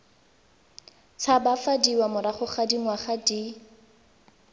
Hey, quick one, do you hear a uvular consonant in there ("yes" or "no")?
yes